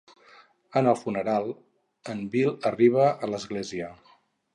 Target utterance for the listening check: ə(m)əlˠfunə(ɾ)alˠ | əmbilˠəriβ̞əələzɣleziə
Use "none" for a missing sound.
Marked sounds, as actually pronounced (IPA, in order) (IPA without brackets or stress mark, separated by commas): n, ɾ